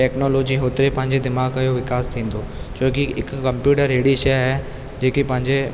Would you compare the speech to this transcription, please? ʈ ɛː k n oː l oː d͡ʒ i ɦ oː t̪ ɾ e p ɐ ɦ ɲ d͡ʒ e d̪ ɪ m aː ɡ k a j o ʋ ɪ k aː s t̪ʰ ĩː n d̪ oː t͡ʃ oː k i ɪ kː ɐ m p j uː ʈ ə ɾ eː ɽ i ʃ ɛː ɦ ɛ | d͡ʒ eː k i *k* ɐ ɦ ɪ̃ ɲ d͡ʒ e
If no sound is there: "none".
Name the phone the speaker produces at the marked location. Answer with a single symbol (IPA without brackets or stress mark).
p